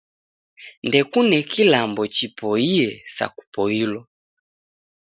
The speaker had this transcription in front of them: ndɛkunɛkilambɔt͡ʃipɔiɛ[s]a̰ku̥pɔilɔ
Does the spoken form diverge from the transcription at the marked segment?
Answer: no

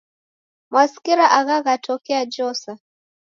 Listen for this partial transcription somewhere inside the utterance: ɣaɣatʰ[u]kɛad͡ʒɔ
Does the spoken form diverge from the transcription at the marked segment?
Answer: yes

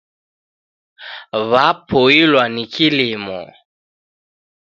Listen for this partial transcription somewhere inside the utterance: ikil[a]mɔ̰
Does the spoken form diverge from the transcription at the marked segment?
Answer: yes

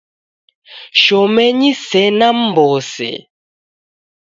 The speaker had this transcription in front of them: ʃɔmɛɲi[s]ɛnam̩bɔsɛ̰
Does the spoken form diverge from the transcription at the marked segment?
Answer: no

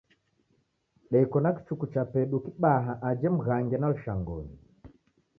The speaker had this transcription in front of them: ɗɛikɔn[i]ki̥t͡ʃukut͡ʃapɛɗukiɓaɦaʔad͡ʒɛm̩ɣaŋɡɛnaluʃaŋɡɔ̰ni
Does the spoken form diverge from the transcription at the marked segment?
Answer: yes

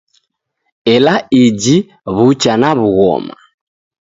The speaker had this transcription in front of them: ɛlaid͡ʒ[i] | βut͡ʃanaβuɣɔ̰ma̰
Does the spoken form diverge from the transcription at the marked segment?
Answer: no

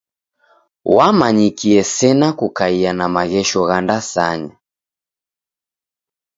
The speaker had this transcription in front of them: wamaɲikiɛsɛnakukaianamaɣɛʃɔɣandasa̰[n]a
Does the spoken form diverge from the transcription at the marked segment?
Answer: yes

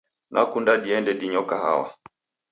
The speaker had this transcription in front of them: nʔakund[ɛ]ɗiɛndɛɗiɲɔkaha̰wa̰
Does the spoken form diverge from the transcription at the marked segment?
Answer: yes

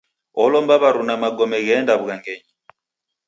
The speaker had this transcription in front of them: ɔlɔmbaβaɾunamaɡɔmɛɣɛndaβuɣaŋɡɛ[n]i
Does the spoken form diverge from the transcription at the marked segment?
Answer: yes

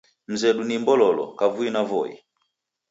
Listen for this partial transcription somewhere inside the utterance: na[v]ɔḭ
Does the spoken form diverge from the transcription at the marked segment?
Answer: no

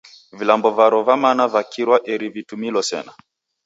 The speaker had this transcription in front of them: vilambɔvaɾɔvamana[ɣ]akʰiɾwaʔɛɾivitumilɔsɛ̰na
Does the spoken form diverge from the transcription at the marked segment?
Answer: yes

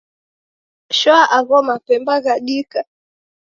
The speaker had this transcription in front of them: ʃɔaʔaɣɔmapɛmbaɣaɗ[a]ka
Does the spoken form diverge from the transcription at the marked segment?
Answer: yes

